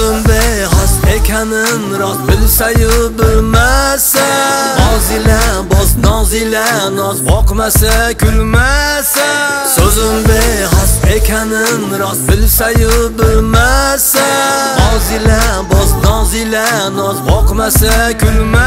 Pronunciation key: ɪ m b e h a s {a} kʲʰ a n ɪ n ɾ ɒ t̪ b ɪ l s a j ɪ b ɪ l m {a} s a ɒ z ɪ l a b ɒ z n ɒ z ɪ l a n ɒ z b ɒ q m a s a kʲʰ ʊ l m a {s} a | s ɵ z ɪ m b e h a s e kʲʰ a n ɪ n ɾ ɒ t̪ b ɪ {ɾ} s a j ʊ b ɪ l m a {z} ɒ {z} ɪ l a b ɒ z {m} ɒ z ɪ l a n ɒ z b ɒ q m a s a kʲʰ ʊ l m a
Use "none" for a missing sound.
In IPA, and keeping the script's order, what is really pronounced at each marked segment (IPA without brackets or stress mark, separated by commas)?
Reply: e, a, s, l, s, z, n